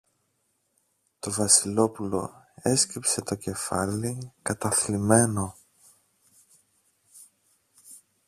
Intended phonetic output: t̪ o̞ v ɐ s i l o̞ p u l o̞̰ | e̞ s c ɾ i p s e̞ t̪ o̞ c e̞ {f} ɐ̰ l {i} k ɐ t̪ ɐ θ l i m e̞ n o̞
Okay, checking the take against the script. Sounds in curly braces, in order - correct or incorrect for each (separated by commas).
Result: correct, correct